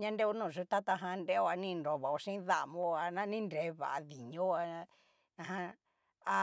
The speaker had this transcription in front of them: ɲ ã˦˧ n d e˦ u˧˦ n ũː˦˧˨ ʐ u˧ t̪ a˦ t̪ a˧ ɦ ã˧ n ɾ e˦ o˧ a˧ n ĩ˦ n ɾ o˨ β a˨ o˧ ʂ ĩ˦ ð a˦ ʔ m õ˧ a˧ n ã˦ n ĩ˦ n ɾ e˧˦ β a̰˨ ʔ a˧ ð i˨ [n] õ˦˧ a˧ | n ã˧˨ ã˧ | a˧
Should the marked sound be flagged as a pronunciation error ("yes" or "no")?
yes